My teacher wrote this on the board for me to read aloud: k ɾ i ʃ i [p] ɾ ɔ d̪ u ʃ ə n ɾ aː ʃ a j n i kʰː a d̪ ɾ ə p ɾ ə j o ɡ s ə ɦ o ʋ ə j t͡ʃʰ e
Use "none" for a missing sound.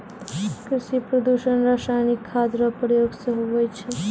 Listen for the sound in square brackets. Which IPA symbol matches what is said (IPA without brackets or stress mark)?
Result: p